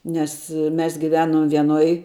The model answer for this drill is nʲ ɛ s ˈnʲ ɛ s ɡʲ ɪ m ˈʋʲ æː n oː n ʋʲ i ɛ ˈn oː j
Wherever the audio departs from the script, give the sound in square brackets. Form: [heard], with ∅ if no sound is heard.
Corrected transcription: nʲ ɛ s [ˈmʲ] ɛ s ɡʲ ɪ [∅] ˈʋʲ æː n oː [m] ʋʲ i ɛ ˈn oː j